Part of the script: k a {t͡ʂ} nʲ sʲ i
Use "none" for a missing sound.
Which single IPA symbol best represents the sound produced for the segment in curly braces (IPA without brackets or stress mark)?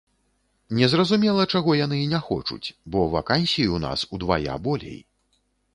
none